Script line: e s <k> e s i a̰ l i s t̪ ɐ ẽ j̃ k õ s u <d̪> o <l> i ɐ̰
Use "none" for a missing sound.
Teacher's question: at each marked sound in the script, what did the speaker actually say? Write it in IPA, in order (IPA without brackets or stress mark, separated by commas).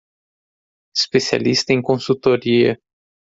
p, t̪, ɾ